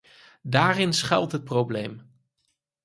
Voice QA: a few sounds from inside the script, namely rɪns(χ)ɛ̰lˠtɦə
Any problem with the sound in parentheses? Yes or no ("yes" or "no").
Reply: no